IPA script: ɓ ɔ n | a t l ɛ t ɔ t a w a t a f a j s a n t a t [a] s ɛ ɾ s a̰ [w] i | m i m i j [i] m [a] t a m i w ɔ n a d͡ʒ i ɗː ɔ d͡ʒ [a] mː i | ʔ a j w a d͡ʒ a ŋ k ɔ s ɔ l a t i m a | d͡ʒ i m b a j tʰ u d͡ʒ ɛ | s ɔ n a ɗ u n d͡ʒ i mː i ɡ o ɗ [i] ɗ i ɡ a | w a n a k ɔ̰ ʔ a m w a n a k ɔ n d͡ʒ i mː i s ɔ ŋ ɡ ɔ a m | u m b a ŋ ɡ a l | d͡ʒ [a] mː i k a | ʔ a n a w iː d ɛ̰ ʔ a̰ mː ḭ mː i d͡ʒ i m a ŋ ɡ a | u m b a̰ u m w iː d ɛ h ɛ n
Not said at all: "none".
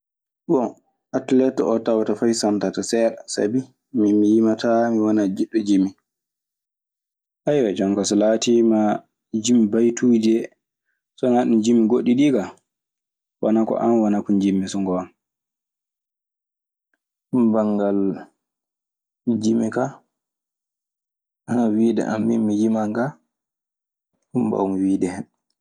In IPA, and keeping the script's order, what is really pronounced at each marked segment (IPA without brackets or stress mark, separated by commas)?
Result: a, b, i, a, i, i, i